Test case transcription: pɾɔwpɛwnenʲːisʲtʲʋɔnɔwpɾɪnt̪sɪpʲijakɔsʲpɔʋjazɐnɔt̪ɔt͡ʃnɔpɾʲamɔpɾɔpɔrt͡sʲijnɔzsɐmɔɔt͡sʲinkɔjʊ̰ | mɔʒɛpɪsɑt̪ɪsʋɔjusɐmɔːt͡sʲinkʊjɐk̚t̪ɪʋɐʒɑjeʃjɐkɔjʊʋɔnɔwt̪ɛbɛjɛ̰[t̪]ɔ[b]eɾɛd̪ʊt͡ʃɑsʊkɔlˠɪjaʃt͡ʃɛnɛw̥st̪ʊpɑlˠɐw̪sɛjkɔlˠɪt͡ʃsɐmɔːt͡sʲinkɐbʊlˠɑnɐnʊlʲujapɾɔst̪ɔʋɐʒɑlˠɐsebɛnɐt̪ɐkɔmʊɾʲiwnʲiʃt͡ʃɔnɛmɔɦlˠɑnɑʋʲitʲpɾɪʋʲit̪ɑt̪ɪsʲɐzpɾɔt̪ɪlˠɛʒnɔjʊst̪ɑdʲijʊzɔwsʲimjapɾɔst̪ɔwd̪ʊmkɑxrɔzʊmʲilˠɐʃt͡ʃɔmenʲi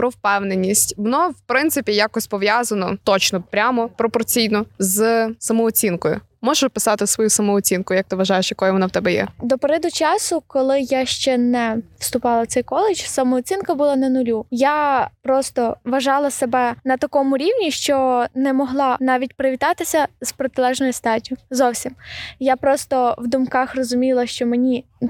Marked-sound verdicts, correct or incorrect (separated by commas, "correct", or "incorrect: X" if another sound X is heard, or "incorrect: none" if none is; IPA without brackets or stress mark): incorrect: d̪, incorrect: p